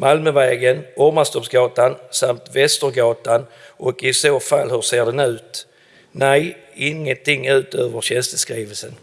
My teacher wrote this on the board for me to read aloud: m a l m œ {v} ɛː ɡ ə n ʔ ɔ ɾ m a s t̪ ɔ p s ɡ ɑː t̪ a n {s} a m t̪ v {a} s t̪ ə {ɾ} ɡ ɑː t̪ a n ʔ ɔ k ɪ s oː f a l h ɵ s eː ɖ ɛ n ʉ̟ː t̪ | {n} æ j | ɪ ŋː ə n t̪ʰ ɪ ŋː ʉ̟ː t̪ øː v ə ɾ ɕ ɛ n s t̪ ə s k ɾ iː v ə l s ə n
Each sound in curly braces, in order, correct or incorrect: correct, correct, incorrect, correct, correct

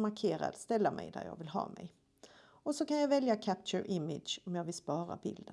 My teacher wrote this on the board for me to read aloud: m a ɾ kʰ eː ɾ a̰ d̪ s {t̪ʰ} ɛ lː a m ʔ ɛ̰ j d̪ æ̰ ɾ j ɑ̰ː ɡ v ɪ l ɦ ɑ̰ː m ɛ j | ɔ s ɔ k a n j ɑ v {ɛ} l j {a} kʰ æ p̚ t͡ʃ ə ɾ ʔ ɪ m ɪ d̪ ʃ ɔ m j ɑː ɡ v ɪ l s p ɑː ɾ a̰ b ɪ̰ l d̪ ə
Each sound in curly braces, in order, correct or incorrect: incorrect, correct, correct

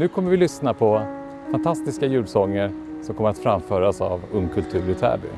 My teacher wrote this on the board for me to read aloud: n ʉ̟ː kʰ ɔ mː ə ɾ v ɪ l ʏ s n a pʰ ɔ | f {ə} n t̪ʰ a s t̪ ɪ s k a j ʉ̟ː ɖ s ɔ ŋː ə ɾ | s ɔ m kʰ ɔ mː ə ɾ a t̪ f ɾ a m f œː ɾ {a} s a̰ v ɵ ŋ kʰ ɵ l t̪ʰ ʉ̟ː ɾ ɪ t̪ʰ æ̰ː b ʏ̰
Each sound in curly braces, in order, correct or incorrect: incorrect, correct

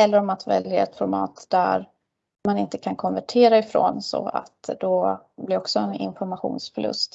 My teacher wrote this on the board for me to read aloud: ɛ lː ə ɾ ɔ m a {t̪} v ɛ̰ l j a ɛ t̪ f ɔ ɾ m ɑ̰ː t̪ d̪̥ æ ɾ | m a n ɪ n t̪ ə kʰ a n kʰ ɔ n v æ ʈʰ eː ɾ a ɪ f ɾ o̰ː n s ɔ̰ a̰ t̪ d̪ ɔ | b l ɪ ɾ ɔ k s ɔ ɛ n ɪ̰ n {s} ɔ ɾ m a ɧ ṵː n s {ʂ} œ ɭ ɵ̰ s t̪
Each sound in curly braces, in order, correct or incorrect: correct, incorrect, incorrect

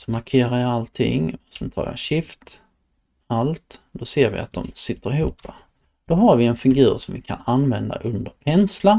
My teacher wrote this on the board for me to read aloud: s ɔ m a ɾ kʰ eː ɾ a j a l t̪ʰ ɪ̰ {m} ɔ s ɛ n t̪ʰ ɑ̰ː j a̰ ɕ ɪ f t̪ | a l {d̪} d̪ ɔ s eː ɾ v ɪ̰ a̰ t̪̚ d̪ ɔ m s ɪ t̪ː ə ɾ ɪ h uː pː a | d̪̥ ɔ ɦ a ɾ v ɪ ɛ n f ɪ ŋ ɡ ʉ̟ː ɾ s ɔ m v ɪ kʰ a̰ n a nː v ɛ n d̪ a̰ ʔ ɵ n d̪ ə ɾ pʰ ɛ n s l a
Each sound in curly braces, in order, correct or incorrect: incorrect, incorrect

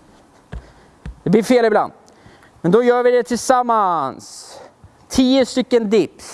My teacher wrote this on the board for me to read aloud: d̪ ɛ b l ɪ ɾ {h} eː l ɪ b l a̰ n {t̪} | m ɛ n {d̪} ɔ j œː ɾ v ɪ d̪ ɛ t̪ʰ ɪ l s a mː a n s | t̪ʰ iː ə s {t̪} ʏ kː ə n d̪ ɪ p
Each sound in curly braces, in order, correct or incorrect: incorrect, incorrect, correct, correct

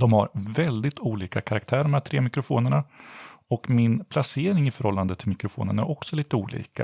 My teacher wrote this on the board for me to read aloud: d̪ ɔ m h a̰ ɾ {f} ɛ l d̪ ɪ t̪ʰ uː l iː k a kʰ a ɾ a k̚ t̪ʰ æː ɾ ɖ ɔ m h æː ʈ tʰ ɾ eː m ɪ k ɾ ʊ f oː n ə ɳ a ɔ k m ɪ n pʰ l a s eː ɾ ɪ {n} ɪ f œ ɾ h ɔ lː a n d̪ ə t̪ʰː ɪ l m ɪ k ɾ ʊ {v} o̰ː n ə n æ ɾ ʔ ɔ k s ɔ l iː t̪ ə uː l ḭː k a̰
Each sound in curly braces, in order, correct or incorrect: incorrect, incorrect, incorrect

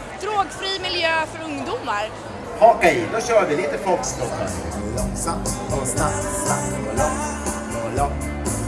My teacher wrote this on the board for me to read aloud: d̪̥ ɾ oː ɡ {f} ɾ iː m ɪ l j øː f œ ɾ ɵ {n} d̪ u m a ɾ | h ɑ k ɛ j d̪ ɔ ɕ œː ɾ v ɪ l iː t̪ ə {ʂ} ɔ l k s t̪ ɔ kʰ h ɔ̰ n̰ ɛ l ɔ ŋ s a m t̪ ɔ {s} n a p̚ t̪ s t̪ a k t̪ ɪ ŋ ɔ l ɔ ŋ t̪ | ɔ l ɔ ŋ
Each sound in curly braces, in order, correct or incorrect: correct, incorrect, incorrect, correct

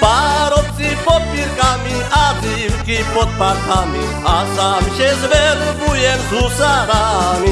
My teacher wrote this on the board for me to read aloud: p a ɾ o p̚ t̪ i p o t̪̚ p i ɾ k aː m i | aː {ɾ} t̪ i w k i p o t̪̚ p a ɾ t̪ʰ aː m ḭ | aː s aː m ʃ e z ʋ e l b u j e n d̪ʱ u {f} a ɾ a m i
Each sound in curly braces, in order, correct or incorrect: incorrect, incorrect

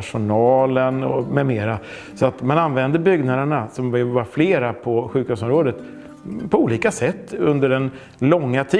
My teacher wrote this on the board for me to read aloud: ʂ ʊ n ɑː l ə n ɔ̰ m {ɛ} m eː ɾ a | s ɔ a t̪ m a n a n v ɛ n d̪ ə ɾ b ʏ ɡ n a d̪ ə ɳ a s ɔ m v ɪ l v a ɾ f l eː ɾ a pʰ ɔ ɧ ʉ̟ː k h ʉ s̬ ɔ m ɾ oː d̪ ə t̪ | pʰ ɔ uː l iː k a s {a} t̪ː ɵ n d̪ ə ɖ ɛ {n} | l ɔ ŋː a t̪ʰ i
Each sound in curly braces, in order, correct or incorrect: correct, incorrect, correct

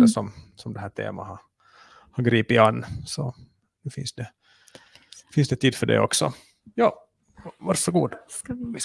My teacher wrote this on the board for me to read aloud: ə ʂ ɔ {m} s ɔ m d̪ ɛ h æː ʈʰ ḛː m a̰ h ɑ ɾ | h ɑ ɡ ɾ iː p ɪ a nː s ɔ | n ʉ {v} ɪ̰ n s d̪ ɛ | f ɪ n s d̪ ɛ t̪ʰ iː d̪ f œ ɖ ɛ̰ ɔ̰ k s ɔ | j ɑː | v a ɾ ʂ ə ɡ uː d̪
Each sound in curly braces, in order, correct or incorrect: correct, incorrect

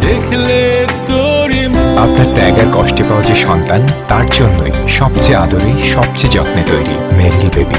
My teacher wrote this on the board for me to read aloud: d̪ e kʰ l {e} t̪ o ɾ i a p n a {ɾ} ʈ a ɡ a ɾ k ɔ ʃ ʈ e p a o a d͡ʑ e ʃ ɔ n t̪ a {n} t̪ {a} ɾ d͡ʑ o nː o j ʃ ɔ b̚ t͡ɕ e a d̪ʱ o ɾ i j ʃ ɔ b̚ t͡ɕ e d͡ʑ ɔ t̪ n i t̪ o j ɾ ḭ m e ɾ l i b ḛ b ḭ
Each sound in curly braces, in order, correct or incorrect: correct, correct, correct, correct

